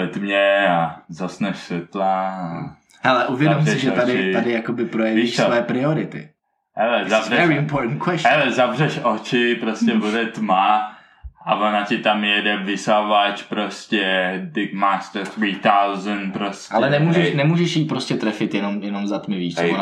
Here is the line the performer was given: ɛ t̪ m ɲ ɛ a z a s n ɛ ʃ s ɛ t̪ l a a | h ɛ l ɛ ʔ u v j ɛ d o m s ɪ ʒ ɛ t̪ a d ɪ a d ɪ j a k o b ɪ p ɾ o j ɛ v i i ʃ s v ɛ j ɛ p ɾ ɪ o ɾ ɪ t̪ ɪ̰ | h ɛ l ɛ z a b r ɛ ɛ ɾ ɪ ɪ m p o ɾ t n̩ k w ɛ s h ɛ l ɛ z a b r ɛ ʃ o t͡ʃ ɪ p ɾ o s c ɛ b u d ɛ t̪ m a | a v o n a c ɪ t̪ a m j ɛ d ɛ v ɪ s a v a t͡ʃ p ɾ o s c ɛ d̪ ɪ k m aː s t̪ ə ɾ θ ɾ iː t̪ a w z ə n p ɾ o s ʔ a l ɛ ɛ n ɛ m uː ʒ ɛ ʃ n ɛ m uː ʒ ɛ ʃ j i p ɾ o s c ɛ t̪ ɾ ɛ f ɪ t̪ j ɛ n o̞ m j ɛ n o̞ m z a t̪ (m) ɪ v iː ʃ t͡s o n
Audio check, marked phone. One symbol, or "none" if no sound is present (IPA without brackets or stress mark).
m